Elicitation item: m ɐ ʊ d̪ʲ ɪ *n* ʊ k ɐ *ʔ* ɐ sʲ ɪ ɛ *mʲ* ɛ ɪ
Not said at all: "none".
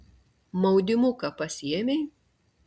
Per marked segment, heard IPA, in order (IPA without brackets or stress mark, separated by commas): m, p, mʲ